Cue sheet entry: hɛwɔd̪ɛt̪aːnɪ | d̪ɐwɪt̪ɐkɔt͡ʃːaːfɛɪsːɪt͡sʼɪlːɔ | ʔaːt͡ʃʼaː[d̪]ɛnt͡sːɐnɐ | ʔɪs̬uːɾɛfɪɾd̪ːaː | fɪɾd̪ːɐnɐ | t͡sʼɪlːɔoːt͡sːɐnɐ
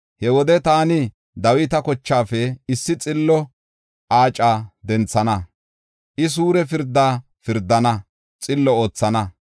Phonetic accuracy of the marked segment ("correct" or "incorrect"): correct